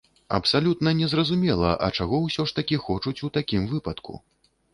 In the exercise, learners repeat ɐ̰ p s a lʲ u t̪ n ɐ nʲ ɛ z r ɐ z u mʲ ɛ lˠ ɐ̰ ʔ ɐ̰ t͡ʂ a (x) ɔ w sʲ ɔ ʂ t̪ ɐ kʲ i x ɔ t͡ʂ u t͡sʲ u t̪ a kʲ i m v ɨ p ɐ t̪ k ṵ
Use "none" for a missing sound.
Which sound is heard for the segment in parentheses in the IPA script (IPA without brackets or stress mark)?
ɣ